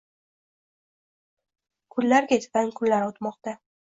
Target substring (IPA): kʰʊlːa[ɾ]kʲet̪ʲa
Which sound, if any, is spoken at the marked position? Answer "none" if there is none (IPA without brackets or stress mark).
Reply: ɾ